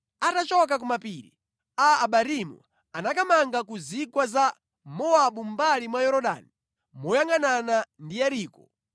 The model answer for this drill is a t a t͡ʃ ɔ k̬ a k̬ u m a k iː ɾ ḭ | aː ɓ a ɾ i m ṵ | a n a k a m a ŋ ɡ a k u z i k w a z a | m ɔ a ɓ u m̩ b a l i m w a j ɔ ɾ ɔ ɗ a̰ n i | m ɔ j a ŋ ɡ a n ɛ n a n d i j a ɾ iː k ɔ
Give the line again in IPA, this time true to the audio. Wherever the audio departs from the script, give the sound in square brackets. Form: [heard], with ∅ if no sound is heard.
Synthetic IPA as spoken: a t a t͡ʃ ɔ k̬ a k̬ u m a [p] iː ɾ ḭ | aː ɓ a ɾ i m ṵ | a n a k a m a ŋ ɡ a k u z i k w a z a | m ɔ a ɓ u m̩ b a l i m w a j ɔ ɾ ɔ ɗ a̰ n i | m ɔ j a ŋ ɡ a n [a] n a n d i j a ɾ iː k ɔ

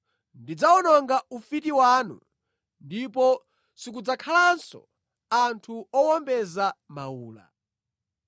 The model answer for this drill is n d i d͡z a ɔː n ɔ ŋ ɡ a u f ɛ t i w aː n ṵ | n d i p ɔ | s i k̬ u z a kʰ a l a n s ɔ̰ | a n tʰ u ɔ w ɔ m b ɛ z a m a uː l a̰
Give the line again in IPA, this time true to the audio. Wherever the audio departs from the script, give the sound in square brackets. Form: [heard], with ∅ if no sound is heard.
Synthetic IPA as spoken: n d i d͡z a [ɔ] n ɔ ŋ ɡ a u f [i] t i w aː n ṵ | n d i p ɔ | s i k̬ u [d͡z] a kʰ a l a n s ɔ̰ | a n tʰ u ɔ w ɔ m b ɛ z a m a uː l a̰

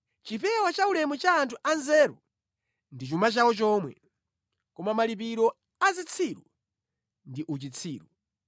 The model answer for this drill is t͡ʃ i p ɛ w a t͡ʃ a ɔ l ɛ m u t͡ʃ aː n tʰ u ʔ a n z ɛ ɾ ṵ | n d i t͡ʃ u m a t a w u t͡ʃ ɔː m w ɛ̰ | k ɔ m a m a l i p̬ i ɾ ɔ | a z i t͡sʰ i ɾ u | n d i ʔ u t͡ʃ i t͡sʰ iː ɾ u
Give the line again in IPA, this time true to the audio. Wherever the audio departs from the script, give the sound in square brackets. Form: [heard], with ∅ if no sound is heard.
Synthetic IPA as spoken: t͡ʃ i p ɛ w a t͡ʃ a [u] l ɛ m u t͡ʃ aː n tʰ u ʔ a n z ɛ ɾ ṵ | n d i t͡ʃ u m a [t͡ʃ] a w [ɔ] t͡ʃ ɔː m w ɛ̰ | k ɔ m a m a l i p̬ i ɾ ɔ | a z i t͡sʰ i ɾ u | n d i ʔ u t͡ʃ i t͡sʰ iː ɾ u

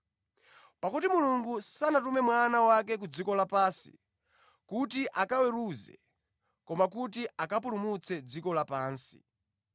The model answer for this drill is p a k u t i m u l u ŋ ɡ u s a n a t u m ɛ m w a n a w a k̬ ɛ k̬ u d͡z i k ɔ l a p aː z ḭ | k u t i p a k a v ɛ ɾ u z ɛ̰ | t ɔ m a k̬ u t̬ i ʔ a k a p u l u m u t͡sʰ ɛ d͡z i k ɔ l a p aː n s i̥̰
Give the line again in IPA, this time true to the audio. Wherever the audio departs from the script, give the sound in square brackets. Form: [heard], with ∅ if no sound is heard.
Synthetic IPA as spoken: p a k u t i m u l u ŋ ɡ u s a n a t u m ɛ m w a n a w a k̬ ɛ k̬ u d͡z i k ɔ l a p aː [s] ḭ | k u t i [ʔ] a k a [w] ɛ ɾ u z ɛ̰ | [k] ɔ m a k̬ u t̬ i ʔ a k a p u l u m u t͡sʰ ɛ d͡z i k ɔ l a p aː n s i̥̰

